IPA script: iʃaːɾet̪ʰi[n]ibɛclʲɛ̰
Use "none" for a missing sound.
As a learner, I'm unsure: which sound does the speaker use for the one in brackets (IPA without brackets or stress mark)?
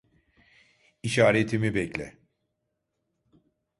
m